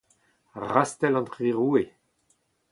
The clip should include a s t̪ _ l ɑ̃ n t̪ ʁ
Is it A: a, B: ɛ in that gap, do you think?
B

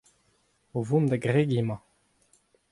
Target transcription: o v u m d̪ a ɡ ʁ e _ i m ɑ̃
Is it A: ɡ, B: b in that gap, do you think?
A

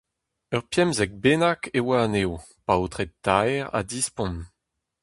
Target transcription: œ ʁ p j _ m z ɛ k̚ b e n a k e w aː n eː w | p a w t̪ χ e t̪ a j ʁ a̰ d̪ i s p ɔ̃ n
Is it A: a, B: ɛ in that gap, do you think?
B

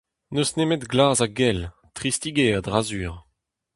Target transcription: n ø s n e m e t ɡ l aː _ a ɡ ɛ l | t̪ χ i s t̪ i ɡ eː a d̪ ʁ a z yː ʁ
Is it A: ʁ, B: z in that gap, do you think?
B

